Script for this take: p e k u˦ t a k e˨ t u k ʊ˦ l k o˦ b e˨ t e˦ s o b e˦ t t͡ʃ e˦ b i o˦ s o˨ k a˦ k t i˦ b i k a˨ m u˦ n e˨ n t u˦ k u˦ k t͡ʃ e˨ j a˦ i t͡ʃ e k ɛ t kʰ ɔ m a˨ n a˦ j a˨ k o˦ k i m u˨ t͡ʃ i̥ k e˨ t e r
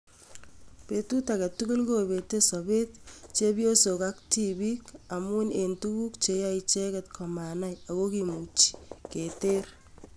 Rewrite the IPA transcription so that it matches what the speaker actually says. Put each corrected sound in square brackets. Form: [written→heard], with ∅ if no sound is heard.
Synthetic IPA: p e [k→t] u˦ t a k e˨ t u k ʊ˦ l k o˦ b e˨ t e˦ s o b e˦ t t͡ʃ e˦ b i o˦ s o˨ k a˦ k t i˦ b i k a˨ m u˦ n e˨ n t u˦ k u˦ k t͡ʃ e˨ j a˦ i t͡ʃ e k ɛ t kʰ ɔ m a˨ n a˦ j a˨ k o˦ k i m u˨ t͡ʃ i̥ k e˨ t e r